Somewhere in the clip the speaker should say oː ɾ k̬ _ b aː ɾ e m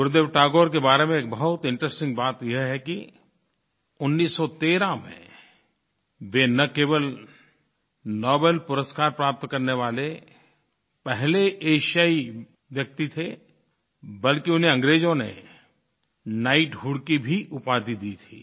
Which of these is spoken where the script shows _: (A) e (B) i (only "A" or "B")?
A